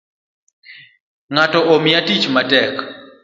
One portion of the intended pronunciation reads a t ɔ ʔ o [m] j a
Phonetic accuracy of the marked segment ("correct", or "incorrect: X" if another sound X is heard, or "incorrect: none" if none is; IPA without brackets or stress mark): correct